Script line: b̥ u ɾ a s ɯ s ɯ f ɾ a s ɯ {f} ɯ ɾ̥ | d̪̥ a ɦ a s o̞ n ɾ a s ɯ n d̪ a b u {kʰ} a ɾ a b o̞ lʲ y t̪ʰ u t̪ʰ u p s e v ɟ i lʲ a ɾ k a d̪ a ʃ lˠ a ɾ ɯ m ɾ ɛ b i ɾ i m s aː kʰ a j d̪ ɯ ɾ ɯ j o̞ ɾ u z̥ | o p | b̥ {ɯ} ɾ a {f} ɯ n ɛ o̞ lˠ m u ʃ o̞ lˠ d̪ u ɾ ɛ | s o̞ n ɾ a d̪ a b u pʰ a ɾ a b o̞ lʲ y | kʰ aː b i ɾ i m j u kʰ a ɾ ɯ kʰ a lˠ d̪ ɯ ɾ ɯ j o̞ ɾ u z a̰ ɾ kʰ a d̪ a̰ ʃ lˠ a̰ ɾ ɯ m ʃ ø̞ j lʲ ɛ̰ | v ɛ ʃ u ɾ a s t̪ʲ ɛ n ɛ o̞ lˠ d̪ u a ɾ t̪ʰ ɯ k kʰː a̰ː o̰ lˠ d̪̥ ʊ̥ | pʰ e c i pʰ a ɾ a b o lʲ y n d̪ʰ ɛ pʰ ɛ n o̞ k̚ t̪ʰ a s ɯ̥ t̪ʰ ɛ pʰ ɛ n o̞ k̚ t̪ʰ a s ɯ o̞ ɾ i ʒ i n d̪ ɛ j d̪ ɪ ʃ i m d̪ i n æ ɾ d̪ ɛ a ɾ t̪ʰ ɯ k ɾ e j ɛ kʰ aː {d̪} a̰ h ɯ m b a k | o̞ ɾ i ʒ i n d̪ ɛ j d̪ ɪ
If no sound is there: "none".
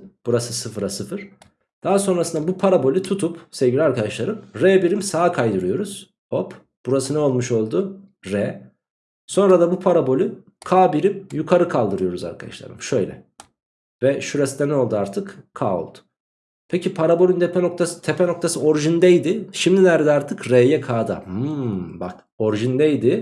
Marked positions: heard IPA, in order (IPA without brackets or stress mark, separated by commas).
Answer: f, pʰ, u, s, d̪